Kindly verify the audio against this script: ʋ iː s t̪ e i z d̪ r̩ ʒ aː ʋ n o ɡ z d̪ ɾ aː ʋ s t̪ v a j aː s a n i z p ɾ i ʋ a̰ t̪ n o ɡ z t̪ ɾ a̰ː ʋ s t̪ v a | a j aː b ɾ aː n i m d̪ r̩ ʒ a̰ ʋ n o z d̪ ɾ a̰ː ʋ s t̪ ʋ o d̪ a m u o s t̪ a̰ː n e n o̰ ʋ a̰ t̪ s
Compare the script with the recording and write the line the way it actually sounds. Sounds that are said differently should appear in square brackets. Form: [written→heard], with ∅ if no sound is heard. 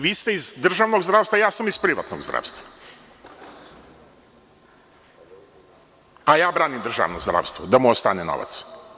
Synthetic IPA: ʋ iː s t̪ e i z d̪ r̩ ʒ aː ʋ n o ɡ z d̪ ɾ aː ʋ s t̪ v a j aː s a [n→m] i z p ɾ i ʋ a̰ t̪ n o ɡ z [t̪→d̪] ɾ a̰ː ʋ s t̪ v a | a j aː b ɾ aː n i m d̪ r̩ ʒ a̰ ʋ n o z d̪ ɾ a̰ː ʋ s t̪ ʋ o d̪ a m u o s t̪ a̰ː n e n o̰ ʋ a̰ t̪ s